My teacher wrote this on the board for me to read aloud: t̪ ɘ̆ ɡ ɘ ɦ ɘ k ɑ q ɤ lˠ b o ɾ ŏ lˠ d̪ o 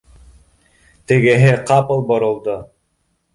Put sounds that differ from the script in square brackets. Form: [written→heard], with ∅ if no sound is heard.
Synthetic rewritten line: t̪ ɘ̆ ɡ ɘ ɦ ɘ [k→q] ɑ [q→p] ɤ lˠ b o ɾ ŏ lˠ d̪ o